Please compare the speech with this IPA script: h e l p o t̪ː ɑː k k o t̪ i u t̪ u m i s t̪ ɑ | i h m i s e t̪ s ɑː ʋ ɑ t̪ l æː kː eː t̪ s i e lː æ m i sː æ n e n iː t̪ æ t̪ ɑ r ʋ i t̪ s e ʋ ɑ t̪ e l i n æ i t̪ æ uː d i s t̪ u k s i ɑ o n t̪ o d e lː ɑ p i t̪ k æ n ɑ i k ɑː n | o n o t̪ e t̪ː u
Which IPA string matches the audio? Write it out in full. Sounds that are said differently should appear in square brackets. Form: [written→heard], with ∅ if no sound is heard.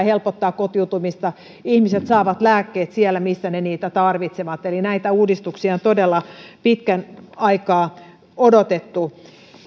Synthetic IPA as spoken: h e l p o t̪ː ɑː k k o t̪ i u t̪ u m i s t̪ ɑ | i h m i s e t̪ s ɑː ʋ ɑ t̪ l æː kː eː t̪ s i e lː æ m i sː æ n e n iː t̪ æ t̪ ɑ r ʋ i t̪ s e ʋ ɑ t̪ e l i n æ i t̪ æ uː d i s t̪ u k s i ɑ o n t̪ o d e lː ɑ p i t̪ k æ n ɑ i k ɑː [n→∅] | o [n→d] o t̪ e t̪ː u